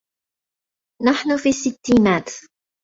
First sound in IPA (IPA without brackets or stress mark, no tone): n